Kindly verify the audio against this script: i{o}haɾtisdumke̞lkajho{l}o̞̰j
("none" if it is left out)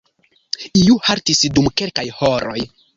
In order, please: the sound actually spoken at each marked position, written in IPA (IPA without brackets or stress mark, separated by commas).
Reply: u, ɾ